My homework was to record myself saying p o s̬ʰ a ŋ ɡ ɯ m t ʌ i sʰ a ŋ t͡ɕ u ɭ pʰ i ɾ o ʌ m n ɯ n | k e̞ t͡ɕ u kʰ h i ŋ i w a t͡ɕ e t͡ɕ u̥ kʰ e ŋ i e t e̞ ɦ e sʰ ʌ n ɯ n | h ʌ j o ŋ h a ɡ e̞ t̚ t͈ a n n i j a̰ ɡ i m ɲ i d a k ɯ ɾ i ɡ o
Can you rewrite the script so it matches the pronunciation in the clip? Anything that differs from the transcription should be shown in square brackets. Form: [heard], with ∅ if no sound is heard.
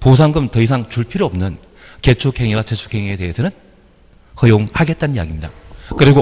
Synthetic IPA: p o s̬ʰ a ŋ ɡ ɯ m t ʌ i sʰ a ŋ t͡ɕ u ɭ pʰ i ɾ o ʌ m n ɯ n | k e̞ [t͡ɕʰ] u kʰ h [e] ŋ i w a t͡ɕ e [t͡ɕʰ] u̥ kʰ e ŋ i e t e̞ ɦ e sʰ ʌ n ɯ n | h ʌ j o ŋ h a ɡ e̞ t̚ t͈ a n n i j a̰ ɡ i m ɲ i d a k ɯ ɾ i ɡ o